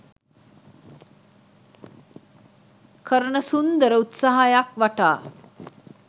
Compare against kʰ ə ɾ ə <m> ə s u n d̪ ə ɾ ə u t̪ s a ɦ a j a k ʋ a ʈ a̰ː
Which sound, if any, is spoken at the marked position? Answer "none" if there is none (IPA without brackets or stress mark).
ɳ